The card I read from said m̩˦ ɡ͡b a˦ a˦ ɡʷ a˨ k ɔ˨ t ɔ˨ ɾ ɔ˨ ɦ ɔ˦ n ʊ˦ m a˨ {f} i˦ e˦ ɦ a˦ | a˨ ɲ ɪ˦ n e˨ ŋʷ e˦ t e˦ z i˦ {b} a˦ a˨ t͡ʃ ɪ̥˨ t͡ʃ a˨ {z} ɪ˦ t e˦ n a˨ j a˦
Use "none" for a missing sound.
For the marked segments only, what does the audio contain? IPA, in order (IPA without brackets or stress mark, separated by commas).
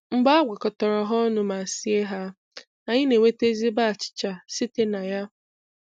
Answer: s, b, s